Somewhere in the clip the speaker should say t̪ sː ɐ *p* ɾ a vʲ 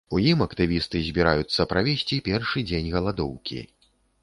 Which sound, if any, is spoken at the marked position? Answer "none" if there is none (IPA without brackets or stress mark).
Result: p